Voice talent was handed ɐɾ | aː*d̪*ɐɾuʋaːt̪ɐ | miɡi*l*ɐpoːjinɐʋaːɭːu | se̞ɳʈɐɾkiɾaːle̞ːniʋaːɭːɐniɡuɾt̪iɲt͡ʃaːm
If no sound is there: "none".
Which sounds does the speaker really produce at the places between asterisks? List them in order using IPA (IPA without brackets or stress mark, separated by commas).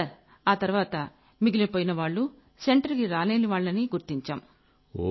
t̪, l